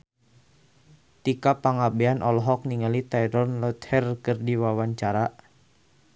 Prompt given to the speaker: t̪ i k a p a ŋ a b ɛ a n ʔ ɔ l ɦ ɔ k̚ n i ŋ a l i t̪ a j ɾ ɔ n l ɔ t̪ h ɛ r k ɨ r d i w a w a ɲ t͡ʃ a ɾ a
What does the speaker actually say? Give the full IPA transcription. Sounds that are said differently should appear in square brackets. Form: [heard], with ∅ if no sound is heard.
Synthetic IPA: t̪ i k a p a ŋ a b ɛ a n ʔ ɔ l ɦ ɔ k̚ n i ŋ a l i t̪ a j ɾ ɔ n l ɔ t̪ h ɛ r k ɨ r d i w a w a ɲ t͡ʃ a ɾ a